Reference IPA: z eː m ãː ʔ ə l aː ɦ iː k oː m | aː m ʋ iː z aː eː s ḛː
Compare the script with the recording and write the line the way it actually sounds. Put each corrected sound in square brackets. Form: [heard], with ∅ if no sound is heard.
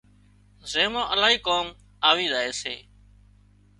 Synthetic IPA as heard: z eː m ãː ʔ ə l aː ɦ iː k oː m | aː [∅] ʋ iː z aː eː s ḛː